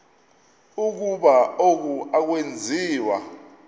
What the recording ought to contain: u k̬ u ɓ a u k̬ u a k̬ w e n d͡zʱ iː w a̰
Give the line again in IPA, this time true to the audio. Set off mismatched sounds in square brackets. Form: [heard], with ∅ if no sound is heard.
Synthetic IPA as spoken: u k̬ u ɓ a [o] k̬ u a k̬ w e n d͡zʱ iː w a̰